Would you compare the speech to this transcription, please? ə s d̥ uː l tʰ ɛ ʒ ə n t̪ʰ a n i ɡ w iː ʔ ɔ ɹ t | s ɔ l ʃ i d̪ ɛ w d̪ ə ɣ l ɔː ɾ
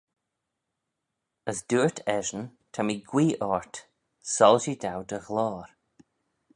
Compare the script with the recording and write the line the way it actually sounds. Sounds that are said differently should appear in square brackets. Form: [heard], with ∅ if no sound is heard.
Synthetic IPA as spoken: ə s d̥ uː [ɹ] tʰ ɛ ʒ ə n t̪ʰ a [m] i ɡ w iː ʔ ɔ ɹ t | s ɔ l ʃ i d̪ [a] w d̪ ə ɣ l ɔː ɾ